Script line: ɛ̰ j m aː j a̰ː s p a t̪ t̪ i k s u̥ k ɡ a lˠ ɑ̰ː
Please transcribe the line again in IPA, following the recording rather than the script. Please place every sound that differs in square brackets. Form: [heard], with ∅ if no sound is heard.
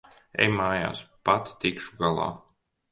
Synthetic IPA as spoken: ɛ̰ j m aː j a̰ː s p a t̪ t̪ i k [ʃ] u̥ [∅] ɡ a lˠ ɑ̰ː